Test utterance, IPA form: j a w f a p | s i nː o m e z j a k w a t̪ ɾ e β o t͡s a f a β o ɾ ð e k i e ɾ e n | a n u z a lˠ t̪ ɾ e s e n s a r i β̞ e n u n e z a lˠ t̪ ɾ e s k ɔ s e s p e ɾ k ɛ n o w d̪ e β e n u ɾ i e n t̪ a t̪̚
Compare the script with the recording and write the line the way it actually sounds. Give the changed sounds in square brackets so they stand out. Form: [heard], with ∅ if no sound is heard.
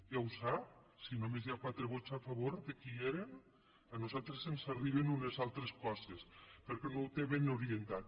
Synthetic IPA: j a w [s] a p | s i [n] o m e z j a k w a t̪ ɾ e β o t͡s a f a β o ɾ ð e k i e ɾ e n | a n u z a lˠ t̪ ɾ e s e n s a r i β̞ e n u n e z a lˠ t̪ ɾ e s k ɔ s e s p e ɾ k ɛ n o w [t̪] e β e n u ɾ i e n t̪ a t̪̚